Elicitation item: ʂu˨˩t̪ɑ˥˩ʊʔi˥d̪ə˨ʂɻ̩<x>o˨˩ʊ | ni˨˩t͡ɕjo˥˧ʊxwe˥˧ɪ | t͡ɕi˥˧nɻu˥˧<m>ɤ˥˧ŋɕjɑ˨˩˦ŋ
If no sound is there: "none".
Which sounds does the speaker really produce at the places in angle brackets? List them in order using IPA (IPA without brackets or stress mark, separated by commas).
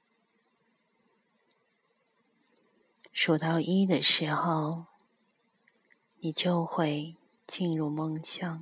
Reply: x, m